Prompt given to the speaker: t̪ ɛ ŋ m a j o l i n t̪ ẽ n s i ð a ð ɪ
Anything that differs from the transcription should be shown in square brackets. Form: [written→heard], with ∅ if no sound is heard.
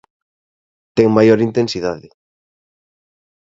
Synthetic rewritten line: t̪ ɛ ŋ m a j o [l→ɾ] i n t̪ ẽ n s i ð a ð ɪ